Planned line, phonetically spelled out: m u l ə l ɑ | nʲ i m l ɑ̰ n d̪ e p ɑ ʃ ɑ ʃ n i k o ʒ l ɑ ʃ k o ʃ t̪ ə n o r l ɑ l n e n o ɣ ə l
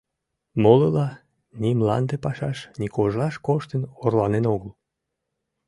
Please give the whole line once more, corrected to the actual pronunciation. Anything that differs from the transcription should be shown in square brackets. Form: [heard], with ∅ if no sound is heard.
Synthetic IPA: m [o] l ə l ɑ | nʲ i m l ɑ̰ n d̪ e p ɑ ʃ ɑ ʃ n i k o ʒ l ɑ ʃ k o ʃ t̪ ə n o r l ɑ [∅] n e n o ɣ ə l